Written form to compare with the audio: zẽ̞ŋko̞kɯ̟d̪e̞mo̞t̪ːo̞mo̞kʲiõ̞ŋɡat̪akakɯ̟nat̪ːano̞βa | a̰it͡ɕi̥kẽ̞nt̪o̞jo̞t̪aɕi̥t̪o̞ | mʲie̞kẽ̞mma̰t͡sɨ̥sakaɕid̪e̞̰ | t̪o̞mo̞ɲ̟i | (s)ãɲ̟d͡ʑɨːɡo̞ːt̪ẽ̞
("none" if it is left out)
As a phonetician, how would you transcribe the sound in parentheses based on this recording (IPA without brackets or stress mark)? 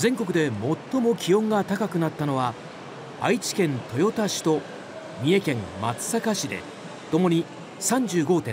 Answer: s